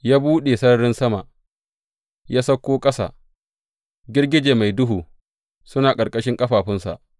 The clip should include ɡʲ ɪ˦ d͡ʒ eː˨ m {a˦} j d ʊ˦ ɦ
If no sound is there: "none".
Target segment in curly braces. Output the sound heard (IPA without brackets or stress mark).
a˨